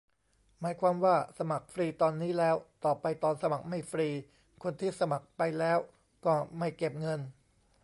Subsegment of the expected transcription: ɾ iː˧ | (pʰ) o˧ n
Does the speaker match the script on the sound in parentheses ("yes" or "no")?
no